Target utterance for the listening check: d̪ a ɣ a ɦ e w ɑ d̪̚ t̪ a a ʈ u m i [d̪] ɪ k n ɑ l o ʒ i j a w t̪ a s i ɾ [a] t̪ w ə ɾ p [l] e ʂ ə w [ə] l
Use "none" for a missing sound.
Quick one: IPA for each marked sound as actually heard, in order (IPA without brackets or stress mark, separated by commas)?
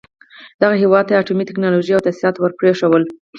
t̪, ɑ, ɾ, ə